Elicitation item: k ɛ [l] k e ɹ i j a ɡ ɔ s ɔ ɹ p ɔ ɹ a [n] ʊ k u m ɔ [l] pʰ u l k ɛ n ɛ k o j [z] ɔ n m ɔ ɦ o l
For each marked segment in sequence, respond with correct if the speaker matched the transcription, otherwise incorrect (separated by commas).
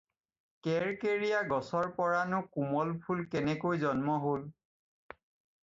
incorrect, correct, correct, correct